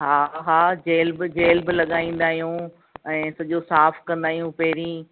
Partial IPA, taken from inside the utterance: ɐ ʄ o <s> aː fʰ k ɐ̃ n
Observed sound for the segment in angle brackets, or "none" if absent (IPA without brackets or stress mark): s